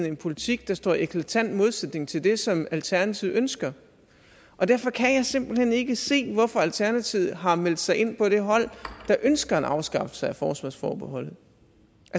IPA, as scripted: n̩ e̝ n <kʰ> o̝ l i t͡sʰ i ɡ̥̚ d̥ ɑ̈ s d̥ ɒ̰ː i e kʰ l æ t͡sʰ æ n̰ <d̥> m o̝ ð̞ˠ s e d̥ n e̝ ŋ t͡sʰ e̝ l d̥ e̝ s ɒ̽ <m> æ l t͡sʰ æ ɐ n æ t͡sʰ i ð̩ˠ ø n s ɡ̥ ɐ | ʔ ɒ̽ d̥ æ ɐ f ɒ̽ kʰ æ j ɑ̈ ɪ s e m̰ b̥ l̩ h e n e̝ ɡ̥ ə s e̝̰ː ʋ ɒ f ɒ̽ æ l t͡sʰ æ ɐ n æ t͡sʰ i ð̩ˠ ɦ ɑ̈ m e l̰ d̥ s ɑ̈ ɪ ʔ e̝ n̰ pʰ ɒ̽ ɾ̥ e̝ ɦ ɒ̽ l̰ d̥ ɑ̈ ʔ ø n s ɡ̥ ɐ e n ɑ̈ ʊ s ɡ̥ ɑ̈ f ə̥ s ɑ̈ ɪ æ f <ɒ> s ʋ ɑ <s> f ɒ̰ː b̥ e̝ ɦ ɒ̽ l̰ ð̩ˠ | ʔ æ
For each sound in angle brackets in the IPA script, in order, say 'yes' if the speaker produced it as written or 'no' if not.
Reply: no, yes, yes, no, yes

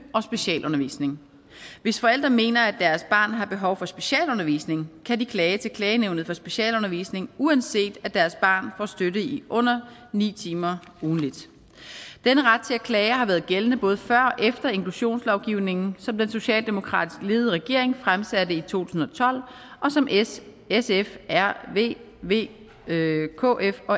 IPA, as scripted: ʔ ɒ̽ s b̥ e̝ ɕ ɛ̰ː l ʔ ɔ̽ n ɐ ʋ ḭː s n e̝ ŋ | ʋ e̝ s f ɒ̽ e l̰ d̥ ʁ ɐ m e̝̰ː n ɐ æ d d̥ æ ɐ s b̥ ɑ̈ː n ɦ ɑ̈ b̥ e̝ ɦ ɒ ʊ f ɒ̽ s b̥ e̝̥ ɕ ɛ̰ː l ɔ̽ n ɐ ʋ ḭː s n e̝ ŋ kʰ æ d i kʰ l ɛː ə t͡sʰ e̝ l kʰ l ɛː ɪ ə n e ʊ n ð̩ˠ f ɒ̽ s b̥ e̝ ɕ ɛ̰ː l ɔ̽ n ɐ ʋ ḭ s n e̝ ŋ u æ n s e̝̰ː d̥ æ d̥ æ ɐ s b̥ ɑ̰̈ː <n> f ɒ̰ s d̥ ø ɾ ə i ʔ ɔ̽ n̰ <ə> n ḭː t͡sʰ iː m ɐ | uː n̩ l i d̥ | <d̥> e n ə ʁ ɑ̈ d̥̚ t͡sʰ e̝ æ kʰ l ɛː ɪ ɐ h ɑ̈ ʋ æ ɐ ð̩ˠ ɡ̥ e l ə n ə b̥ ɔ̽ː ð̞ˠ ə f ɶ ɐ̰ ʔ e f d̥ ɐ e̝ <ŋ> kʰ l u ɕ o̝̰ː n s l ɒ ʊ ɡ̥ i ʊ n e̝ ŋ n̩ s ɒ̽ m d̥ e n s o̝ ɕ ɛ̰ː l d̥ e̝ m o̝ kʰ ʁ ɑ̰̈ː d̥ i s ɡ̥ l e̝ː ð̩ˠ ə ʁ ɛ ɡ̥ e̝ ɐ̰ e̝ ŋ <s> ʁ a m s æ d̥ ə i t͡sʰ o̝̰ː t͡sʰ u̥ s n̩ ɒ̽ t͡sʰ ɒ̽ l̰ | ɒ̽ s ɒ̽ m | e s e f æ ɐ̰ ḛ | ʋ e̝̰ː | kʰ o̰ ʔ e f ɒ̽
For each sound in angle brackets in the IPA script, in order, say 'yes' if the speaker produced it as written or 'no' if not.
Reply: yes, no, yes, yes, no

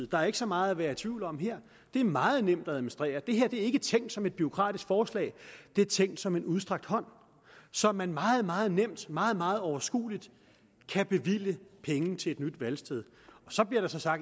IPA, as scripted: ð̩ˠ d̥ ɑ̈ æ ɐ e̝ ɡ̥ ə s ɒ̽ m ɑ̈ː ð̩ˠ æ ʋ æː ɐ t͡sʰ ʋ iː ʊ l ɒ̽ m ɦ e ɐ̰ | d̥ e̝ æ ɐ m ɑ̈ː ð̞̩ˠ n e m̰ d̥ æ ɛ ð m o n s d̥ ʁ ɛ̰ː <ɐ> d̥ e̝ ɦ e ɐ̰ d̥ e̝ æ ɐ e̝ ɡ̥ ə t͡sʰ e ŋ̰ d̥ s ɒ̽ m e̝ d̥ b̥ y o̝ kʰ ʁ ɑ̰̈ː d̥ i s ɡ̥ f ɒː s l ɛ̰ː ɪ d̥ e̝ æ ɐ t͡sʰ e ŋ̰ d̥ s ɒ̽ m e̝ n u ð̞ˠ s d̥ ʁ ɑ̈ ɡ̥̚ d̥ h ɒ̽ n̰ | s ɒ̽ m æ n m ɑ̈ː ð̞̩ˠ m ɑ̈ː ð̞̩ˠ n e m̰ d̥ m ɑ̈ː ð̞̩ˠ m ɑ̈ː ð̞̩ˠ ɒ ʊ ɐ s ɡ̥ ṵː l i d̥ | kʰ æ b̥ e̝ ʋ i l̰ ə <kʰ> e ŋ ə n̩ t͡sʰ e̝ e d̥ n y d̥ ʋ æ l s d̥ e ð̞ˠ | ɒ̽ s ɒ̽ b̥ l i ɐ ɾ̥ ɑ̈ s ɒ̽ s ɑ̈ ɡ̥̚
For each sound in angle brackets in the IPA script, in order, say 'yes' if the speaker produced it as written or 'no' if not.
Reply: yes, no

